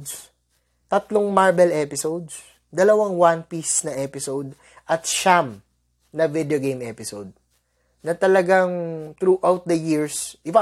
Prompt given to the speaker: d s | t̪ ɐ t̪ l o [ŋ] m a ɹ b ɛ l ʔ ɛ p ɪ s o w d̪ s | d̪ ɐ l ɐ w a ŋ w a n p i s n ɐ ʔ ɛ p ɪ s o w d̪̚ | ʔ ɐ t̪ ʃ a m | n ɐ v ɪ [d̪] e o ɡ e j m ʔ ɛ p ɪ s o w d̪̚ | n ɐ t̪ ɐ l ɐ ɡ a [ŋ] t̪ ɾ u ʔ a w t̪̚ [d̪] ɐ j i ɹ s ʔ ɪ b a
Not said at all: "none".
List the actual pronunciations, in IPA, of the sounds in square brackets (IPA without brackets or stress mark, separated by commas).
ŋ, d̪, ŋ, d̪